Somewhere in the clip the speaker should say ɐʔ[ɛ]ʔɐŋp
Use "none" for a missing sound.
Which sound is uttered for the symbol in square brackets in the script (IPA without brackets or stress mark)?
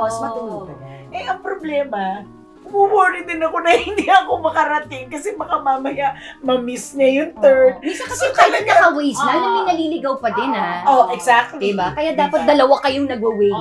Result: ɛ